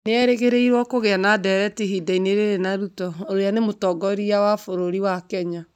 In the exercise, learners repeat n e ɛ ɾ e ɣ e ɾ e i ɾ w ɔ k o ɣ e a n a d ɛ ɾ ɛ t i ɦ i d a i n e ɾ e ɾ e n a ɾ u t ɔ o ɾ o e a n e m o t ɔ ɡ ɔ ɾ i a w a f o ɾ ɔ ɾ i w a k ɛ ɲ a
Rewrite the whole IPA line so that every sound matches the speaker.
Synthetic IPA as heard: n e ɛ ɾ e ɣ e ɾ e i ɾ w ɔ k o ɣ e a n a d ɛ ɾ ɛ t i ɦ i d a i n e ɾ e ɾ e n a ɾ u t ɔ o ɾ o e a n e m o t ɔ ɡ ɔ ɾ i a w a f o ɾ o ɾ i w a k ɛ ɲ a